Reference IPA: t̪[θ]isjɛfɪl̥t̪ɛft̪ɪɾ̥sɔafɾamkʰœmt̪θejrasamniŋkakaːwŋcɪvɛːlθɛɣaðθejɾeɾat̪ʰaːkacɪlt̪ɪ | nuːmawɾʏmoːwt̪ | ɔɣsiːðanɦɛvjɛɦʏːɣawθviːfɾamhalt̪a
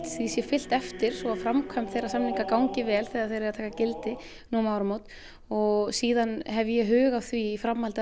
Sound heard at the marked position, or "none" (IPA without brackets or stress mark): θ